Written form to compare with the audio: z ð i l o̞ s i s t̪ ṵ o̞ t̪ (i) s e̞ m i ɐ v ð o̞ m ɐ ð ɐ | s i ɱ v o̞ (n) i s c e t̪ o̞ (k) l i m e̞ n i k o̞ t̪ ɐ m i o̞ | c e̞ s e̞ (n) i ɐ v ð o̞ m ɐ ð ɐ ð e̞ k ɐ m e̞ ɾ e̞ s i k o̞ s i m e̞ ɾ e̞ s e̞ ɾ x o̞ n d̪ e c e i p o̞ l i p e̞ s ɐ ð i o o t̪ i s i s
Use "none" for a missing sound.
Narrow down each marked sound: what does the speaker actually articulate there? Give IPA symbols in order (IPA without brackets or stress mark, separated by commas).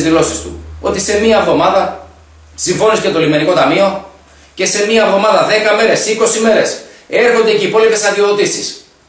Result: i, n, none, m